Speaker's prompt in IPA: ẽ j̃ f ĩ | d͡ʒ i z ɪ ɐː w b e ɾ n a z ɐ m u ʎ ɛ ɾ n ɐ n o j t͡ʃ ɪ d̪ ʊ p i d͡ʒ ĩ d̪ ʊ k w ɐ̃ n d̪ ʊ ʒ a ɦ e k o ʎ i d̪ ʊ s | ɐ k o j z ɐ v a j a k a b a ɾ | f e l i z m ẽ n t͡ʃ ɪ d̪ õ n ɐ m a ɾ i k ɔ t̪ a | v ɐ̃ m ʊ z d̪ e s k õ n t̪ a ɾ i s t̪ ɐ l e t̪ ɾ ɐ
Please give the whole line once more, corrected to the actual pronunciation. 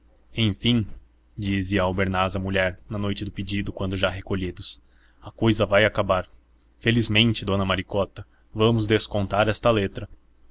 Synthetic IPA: ẽ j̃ f ĩ | d͡ʒ i z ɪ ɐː w b e ɾ n a z ɐ m u ʎ ɛ ɾ n ɐ n o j t͡ʃ ɪ d̪ ʊ p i d͡ʒ i d̪ ʊ k w ɐ̃ n d̪ ʊ ʒ a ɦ e k o ʎ i d̪ ʊ s | ɐ k o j z ɐ v a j a k a b a ɾ | f e l i z m ẽ n t͡ʃ ɪ d̪ õ n ɐ m a ɾ i k ɔ t̪ ɐ | v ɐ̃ m ʊ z d̪ e s k õ n t̪ a ɾ ɛ s t̪ ɐ l e t̪ ɾ ɐ

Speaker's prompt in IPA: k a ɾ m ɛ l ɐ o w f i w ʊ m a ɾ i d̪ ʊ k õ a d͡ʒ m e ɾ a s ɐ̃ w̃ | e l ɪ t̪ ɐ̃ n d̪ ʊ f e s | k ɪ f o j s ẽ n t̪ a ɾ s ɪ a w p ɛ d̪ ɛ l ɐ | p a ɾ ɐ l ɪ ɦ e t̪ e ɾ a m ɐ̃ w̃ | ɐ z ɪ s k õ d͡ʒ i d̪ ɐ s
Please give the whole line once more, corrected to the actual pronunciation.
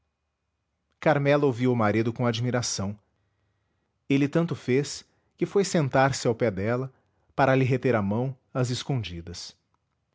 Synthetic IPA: k a ɾ m ɛ l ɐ o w v i w ʊ m a ɾ i d̪ ʊ k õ a d͡ʒ m i ɾ a s ɐ̃ w̃ | e l ɪ t̪ ɐ̃ n t̪ ʊ f e s | k ɪ f o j s ẽ n t̪ a ɾ s ɪ a w p ɛ d̪ ɛ l ɐ | p a ɾ ɐ l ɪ ɦ e t̪ e ɾ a m ɐ̃ w̃ | ɐ z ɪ s k õ d͡ʒ i d̪ ɐ s

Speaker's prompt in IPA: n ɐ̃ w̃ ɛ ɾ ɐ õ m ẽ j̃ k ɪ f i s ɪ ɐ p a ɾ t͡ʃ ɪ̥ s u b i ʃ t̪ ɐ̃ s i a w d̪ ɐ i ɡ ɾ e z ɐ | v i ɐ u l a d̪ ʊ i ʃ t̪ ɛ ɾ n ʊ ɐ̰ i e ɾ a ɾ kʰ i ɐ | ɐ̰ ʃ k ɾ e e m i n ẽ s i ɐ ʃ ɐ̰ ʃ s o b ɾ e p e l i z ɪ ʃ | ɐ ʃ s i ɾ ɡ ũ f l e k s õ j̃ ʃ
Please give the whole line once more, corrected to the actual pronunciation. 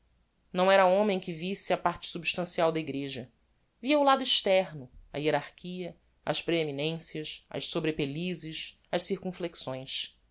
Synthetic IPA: n ɐ̃ w̃ ɛ ɾ ɐ õ m ẽ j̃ k ɪ v i s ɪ ɐ p a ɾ t͡ʃ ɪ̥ s u b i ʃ t̪ ɐ̃ s i a w d̪ ɐ i ɡ ɾ e ʒ ɐ | v i ɐ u l a d̪ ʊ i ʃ t̪ ɛ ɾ n ʊ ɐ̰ i e ɾ a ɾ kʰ i ɐ | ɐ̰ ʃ p ɾ e e m i n ẽ s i ɐ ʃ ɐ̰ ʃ s o b ɾ e p e l i z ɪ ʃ | ɐ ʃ s i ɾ k ũ f l e k s õ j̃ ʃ

